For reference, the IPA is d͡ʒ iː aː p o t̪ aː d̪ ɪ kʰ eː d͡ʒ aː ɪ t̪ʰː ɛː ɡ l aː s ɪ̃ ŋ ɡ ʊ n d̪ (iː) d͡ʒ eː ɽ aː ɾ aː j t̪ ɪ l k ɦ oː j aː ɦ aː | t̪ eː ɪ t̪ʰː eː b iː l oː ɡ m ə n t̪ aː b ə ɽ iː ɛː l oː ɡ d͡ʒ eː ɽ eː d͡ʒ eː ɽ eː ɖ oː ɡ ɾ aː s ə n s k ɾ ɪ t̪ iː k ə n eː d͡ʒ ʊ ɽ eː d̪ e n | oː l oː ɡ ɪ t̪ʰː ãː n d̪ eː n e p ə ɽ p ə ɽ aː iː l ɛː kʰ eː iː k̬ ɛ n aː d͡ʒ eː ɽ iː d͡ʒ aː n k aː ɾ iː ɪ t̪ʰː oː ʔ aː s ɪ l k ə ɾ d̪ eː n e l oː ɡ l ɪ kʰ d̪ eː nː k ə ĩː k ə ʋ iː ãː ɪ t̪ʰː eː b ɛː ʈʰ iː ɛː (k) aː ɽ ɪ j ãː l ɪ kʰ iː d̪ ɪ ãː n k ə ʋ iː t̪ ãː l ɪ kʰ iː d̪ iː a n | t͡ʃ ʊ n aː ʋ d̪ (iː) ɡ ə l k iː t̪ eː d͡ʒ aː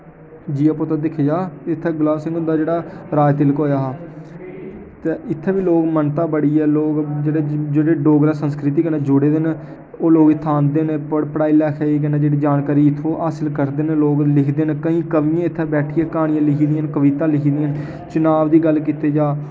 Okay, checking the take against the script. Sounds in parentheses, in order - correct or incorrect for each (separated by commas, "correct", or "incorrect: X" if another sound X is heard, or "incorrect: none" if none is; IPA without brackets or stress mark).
incorrect: aː, correct, correct